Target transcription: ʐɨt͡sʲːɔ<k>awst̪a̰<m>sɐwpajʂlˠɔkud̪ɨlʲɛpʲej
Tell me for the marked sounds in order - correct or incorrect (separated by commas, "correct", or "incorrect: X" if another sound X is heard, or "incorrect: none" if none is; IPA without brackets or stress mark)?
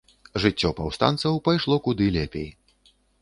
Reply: incorrect: p, incorrect: n